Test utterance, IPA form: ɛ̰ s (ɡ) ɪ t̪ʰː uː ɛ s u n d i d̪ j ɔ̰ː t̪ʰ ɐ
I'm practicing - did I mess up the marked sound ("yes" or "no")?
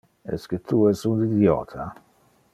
yes